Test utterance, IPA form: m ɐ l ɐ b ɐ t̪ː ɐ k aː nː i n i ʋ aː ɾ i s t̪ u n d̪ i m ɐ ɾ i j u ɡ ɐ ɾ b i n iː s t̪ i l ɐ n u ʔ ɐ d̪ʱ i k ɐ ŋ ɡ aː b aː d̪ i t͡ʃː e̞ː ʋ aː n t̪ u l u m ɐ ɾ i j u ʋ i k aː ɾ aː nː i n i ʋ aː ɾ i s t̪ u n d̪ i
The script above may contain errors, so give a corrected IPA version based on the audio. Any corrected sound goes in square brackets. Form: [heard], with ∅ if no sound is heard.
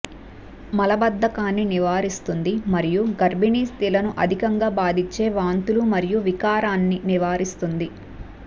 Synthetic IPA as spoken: m ɐ l ɐ b ɐ [d̪ː] ɐ k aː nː i n i ʋ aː ɾ i s t̪ u n d̪ i m ɐ ɾ i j u ɡ ɐ ɾ b i n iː s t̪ i l ɐ n u ʔ ɐ d̪ʱ i k ɐ ŋ ɡ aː b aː d̪ i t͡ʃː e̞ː ʋ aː n t̪ u l u m ɐ ɾ i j u ʋ i k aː ɾ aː nː i n i ʋ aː ɾ i s t̪ u n d̪ i